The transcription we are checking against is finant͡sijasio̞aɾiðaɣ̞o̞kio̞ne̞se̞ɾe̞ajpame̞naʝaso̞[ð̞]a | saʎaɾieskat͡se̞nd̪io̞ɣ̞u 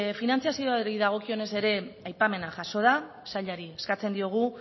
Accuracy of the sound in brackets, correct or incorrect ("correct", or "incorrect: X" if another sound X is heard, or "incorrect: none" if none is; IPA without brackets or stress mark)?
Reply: correct